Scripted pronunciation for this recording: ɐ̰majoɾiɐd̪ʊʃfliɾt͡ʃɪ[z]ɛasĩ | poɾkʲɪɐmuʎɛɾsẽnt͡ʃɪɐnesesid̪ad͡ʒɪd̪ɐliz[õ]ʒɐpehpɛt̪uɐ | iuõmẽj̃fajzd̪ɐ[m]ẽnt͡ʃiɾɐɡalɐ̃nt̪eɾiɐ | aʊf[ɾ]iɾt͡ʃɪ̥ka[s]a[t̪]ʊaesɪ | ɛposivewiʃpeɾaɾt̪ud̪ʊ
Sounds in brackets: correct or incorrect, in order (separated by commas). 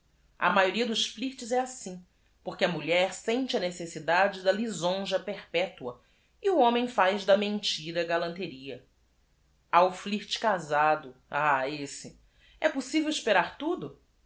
correct, correct, correct, incorrect, incorrect, incorrect